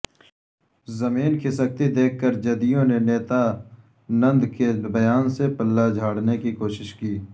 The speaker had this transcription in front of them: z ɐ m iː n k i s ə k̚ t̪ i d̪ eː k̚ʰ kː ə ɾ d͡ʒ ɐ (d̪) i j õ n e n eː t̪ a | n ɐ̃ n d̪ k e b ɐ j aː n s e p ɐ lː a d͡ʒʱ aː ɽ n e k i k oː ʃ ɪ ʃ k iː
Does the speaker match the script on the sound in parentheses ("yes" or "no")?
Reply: yes